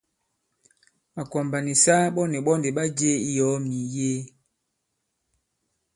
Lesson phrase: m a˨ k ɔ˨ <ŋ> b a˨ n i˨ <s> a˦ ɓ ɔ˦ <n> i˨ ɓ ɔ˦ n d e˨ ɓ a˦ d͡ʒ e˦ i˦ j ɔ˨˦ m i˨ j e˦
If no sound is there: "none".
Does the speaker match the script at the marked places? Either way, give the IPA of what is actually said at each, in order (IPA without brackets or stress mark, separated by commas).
m, s, n